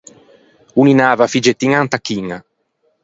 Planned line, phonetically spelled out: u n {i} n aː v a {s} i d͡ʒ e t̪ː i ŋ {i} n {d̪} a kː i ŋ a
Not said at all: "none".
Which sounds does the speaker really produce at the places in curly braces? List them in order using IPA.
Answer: i, f, a, t̪

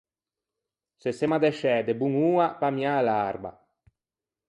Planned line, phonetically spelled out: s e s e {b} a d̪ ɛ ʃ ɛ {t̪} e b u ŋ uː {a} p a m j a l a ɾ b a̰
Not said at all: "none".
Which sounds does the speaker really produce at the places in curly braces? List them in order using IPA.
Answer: m, d̪, a

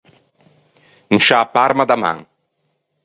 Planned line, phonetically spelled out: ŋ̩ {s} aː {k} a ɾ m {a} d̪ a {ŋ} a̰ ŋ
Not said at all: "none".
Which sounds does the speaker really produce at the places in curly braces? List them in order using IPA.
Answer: ʃ, p, a, m

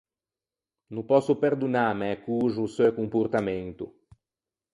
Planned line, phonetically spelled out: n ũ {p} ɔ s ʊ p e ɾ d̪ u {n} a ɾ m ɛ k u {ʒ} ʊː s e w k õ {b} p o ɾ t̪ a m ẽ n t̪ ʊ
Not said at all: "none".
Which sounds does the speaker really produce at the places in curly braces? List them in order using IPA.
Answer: p, n, ʒ, m

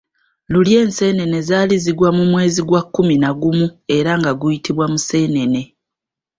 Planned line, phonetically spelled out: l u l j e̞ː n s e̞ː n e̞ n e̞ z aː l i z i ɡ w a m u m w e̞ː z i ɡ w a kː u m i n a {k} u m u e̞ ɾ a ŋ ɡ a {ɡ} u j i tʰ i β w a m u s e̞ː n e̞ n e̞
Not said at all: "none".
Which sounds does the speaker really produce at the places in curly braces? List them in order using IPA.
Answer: ɡ, ɡ

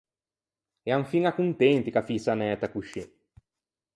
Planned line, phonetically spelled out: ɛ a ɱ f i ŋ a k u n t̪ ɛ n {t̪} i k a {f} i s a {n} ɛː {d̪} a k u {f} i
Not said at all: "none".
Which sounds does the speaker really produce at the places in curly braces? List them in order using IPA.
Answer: t̪, f, n, t̪, ʃ

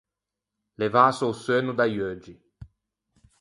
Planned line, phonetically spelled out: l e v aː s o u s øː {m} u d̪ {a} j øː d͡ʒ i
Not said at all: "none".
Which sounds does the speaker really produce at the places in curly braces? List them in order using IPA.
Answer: n, a

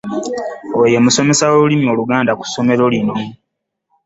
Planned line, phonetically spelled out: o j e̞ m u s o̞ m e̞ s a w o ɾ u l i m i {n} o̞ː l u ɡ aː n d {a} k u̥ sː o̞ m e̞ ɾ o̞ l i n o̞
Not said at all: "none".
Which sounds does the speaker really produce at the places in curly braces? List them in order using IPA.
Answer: none, a

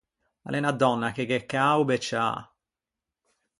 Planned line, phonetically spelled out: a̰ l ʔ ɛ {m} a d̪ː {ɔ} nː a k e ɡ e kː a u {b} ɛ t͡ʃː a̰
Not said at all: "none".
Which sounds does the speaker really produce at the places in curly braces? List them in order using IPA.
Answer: n, ɔ, b

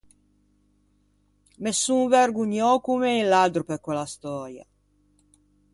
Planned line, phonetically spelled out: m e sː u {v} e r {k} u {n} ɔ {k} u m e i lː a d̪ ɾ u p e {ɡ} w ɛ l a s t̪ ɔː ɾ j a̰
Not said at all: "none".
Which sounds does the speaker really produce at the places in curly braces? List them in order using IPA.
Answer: v, ɡ, ɲ, k, k

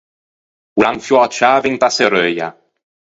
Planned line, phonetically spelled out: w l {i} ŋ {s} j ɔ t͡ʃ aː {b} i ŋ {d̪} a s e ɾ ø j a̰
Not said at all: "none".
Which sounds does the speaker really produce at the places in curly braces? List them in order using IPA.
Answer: a, f, v, t̪

